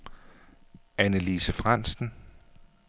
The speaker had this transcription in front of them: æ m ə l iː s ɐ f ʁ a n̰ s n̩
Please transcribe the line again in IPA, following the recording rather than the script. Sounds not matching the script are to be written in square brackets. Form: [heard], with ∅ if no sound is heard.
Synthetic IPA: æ [n] ə l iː s [ə] f ʁ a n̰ s n̩